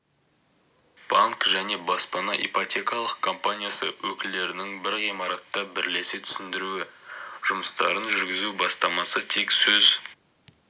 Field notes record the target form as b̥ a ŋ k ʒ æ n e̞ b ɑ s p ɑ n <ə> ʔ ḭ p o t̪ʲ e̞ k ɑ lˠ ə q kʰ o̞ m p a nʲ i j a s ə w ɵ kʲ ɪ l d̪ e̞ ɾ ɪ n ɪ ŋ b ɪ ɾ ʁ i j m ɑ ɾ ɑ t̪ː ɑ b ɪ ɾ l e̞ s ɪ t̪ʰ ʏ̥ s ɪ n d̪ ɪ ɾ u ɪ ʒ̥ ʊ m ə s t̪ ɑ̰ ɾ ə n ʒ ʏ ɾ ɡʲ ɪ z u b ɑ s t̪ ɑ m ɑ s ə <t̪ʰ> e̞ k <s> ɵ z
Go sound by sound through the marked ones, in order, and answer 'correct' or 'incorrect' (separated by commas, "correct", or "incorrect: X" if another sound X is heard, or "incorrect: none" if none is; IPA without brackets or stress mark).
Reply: incorrect: ɑ, correct, correct